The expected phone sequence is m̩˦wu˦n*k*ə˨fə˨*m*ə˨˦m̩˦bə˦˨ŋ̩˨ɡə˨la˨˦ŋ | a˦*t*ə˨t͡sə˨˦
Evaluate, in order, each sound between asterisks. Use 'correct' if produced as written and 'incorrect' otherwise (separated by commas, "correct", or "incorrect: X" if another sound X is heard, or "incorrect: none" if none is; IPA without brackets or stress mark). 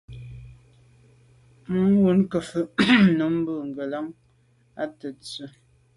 correct, incorrect: n, correct